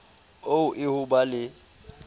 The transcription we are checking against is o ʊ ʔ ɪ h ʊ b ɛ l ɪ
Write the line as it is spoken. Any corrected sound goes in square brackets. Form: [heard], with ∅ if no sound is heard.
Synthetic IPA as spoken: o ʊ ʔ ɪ h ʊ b [a] l ɪ